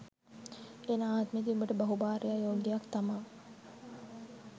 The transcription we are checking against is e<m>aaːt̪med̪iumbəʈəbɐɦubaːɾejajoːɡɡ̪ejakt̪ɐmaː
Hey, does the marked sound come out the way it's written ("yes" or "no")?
no